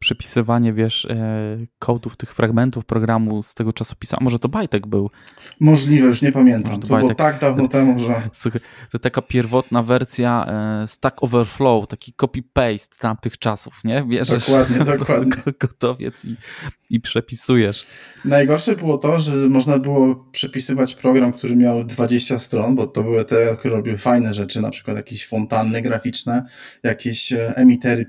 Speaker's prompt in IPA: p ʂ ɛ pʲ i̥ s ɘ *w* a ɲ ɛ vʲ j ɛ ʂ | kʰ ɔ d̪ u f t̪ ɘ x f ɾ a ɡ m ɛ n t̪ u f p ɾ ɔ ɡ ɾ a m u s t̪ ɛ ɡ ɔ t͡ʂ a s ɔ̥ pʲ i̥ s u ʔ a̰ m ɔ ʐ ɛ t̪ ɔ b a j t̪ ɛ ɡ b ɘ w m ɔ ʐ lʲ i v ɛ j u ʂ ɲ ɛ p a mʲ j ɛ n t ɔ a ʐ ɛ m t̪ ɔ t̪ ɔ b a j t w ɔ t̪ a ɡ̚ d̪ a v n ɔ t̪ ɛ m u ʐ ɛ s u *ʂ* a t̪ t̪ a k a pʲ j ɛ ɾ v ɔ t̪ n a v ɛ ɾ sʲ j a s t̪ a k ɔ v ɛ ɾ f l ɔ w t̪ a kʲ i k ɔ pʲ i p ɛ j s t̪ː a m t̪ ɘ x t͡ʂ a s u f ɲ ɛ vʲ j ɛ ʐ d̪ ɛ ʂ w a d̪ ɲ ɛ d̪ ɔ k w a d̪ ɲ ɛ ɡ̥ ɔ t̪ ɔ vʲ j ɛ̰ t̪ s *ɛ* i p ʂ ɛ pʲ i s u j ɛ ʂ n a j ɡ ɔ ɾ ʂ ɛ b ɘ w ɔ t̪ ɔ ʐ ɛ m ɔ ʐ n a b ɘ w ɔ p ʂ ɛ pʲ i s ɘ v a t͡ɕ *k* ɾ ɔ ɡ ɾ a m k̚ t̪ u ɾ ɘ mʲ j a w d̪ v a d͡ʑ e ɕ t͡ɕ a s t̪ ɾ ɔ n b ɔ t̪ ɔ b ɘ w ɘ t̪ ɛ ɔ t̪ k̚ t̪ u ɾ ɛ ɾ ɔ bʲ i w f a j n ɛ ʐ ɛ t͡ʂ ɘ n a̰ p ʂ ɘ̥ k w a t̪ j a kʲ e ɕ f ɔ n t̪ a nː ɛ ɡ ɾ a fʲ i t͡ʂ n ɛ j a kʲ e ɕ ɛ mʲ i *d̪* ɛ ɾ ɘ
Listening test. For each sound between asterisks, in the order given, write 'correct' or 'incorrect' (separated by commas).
incorrect, incorrect, incorrect, incorrect, incorrect